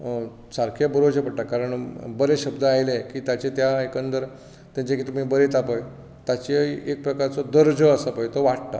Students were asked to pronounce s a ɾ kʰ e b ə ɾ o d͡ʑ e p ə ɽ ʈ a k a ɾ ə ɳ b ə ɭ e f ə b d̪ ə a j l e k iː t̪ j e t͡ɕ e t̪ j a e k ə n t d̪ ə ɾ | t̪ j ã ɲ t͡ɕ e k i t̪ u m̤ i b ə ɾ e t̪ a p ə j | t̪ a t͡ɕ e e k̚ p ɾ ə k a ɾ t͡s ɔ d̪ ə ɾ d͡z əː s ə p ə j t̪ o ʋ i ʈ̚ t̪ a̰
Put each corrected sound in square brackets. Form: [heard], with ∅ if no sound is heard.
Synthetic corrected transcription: s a ɾ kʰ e b ə ɾ o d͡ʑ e p ə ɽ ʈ a k a ɾ ə ɳ b ə [ɾ] e [ɕ] ə b d̪ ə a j l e k iː t̪ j [a] t͡ɕ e t̪ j a e k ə n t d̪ ə ɾ | t̪ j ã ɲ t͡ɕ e k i t̪ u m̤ i b ə ɾ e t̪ a p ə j | t̪ a t͡ɕ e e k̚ p ɾ ə k a ɾ t͡s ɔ d̪ ə ɾ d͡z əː s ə p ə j t̪ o ʋ [a] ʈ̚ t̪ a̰

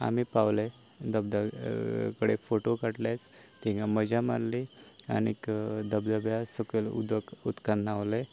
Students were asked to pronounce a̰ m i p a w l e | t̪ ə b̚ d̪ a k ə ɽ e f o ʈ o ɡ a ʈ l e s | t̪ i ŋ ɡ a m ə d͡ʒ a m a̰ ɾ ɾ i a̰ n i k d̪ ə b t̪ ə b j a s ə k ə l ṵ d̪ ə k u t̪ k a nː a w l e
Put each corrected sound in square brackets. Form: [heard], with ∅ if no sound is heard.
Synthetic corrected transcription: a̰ m i p a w l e | [d̪] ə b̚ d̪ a k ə ɽ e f o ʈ o [k] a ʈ l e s | t̪ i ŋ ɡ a m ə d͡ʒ a m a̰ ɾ [l] i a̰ n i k d̪ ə b [d̪] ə b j a s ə k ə l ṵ d̪ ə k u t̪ k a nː a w l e

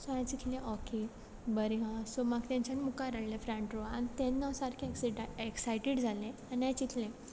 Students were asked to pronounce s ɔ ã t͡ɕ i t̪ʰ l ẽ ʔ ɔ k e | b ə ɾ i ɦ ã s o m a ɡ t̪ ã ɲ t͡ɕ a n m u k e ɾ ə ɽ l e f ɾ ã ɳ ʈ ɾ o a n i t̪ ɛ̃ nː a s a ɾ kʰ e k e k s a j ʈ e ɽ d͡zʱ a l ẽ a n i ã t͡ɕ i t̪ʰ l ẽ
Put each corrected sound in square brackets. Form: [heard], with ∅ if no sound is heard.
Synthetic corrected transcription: s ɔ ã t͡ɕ i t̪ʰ l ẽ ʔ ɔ k e | b ə ɾ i ɦ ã s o m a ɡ t̪ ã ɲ t͡ɕ a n m u k [a] ɾ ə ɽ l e f ɾ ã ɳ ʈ ɾ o a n i t̪ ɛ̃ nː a s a ɾ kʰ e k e k s a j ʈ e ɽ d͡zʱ a l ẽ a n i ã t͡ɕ i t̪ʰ l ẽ

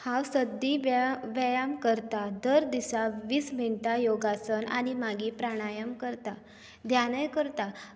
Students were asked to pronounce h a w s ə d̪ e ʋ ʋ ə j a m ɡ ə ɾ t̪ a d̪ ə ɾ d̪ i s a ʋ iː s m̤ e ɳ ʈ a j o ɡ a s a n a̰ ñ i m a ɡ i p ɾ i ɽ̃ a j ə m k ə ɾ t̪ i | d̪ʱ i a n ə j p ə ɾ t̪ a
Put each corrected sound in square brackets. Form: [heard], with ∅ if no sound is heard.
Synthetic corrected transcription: h a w s ə d̪ [i] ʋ ʋ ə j a m [k] ə ɾ t̪ a d̪ ə ɾ d̪ i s a ʋ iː s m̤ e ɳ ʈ a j o ɡ a s [ə] n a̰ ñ i m a ɡ i p ɾ [a] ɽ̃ a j ə m k ə ɾ t̪ [a] | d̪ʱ [j] a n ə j [k] ə ɾ t̪ a

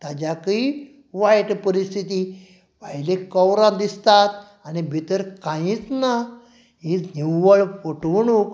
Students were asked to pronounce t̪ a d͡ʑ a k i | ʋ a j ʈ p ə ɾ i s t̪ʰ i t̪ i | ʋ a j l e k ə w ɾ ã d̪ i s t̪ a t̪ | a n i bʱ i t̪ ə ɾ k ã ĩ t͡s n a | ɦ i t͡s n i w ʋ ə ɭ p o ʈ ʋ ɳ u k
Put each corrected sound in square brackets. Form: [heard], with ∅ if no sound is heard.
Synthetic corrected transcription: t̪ a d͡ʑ a k i | ʋ a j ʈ p ə ɾ i s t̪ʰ i t̪ i | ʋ a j l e k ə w ɾ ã d̪ i s t̪ a t̪ | a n i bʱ i t̪ ə ɾ k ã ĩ t͡s n a | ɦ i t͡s n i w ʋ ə ɭ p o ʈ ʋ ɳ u k

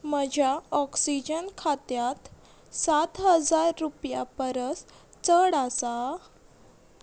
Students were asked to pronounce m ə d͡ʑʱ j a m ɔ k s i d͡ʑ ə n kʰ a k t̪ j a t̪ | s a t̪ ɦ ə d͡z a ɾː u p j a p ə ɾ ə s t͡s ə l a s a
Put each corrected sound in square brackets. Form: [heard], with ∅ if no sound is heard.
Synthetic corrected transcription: m ə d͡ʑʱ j a [∅] ɔ k s i d͡ʑ ə n kʰ a [∅] t̪ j a t̪ | s a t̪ ɦ ə d͡z a ɾː u p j a p ə ɾ ə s t͡s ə [ɽ] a s a

